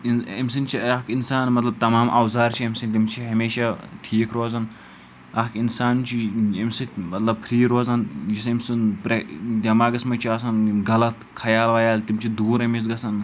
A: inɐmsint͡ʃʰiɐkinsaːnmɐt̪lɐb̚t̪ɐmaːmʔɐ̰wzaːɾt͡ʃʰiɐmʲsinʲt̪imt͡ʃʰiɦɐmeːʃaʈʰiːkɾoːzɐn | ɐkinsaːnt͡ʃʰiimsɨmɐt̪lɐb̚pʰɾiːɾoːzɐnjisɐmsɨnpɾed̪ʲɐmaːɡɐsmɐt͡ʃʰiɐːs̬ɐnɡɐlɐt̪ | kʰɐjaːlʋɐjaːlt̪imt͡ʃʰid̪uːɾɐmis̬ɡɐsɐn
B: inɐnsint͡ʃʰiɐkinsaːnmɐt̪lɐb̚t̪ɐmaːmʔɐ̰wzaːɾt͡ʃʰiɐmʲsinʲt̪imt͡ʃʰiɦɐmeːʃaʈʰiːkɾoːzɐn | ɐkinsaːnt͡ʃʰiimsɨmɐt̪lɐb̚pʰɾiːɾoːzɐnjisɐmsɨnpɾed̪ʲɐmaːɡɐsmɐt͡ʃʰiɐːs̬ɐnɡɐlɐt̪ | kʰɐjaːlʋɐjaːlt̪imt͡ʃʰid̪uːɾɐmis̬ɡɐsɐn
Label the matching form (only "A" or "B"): A